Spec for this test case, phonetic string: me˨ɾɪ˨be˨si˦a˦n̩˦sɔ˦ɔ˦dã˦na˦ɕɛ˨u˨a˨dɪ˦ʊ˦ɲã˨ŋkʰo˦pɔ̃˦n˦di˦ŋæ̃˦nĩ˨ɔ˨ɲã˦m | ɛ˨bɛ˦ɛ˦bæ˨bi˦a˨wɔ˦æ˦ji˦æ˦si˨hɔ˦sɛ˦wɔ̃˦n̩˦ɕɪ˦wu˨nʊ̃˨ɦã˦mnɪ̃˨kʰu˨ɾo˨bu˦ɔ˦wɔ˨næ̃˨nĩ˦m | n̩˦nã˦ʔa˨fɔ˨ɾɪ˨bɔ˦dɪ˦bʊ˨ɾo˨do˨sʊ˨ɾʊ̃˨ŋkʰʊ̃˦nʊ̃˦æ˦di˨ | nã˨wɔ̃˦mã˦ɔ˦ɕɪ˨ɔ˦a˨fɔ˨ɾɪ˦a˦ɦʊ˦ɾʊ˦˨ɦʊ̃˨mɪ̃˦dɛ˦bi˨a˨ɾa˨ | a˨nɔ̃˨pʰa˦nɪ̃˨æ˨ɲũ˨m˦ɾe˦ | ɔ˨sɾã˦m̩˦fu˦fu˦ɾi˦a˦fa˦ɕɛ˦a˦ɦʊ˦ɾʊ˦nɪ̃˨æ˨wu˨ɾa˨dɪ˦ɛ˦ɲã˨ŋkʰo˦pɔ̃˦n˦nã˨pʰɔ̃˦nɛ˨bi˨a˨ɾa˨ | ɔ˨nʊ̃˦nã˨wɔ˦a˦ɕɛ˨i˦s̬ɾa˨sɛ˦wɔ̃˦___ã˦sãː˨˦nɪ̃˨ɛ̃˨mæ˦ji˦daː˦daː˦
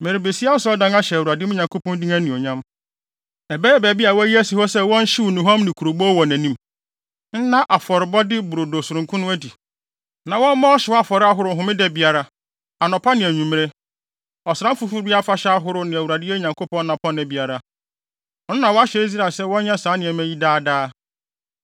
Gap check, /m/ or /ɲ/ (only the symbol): ɲ